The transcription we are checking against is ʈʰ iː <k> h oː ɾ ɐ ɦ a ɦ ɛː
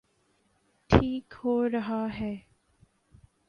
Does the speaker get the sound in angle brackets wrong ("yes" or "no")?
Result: no